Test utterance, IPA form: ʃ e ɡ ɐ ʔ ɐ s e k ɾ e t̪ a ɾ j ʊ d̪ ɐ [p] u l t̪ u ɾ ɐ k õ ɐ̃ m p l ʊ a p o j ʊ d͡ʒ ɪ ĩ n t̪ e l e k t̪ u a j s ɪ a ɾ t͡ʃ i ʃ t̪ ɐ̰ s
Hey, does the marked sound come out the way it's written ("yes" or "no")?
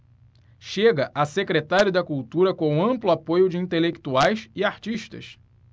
no